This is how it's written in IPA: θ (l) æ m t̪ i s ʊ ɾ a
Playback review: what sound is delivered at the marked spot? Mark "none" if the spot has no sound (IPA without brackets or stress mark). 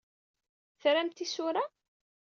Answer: ɾ